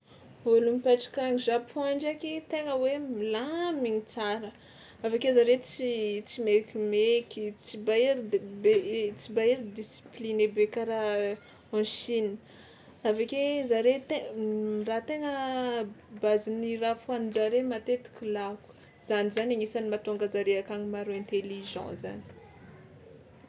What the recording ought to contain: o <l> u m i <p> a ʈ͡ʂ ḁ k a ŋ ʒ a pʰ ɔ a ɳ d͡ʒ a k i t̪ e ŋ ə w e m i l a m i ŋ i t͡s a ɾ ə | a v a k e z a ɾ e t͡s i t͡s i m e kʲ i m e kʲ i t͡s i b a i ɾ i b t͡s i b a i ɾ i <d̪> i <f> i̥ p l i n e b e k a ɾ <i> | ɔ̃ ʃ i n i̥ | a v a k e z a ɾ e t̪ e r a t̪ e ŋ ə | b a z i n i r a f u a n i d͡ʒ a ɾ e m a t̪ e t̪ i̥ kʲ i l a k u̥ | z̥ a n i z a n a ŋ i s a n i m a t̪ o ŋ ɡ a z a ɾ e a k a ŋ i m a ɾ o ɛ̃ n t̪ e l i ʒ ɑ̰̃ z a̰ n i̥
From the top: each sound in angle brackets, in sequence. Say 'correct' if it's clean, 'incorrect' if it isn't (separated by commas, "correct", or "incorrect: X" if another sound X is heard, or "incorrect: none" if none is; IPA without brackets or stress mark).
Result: correct, correct, correct, incorrect: s, incorrect: a